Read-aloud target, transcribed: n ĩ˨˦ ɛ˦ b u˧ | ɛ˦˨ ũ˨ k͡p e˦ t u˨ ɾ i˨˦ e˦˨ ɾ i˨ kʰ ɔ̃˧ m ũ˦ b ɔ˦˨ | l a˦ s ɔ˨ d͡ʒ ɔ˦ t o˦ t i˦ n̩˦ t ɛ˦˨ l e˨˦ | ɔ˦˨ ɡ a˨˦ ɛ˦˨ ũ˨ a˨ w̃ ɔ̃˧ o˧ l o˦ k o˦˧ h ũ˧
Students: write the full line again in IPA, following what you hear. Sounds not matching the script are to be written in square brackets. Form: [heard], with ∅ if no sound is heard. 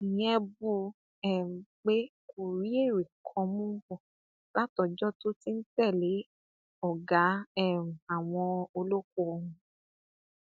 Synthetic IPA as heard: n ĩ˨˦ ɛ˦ b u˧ | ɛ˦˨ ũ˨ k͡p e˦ [k] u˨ ɾ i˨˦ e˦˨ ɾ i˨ kʰ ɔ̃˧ m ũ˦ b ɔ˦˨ | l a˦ [t] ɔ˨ d͡ʒ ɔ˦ t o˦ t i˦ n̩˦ t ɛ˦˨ l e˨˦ | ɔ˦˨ ɡ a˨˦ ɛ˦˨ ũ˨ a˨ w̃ ɔ̃˧ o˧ l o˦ k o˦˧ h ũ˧